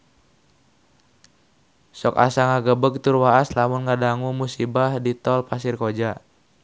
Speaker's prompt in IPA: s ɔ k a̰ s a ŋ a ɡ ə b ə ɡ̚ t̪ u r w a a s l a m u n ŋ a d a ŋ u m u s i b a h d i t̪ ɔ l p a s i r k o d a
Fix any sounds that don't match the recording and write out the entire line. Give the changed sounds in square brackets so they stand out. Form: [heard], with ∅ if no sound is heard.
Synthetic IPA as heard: s ɔ k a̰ s a ŋ a ɡ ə b ə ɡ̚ t̪ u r w a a s l a m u n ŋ a d a ŋ u m u s i b a h d i t̪ ɔ l p a s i r k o [d͡ʒ] a